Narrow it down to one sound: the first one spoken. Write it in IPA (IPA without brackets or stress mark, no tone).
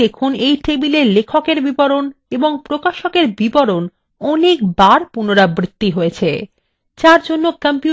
e